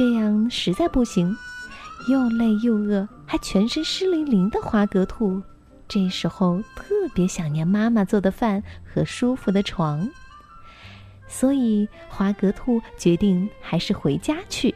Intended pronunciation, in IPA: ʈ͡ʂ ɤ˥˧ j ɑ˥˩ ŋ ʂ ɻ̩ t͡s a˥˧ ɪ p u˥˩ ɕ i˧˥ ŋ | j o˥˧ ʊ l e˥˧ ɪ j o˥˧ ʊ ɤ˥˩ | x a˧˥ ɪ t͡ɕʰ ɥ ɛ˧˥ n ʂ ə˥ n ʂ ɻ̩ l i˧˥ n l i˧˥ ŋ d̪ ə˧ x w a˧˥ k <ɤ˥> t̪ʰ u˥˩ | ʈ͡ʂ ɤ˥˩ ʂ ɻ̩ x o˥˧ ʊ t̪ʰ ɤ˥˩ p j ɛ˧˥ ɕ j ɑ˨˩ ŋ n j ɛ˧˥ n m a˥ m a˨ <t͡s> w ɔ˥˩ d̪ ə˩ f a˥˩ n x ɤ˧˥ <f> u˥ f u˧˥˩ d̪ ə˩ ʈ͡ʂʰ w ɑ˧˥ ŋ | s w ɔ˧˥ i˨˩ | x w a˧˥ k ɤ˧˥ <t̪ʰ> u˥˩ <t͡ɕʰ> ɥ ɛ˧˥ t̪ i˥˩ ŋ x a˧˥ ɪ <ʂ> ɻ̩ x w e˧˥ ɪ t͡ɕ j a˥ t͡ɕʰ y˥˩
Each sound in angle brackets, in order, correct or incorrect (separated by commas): incorrect, correct, incorrect, correct, incorrect, correct